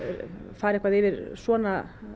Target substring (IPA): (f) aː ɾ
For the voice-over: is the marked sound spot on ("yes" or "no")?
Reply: yes